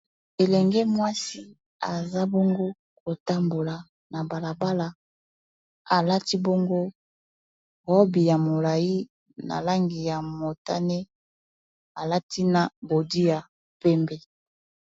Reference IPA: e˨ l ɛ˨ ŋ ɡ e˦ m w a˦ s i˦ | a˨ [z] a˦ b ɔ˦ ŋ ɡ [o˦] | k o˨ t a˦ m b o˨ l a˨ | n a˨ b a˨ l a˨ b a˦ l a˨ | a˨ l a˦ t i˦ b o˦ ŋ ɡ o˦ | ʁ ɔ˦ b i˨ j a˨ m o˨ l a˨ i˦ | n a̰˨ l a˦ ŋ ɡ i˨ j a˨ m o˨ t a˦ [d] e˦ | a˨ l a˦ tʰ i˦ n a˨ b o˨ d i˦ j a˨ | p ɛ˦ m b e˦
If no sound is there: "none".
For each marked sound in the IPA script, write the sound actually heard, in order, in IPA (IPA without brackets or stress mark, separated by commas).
z, o˦, n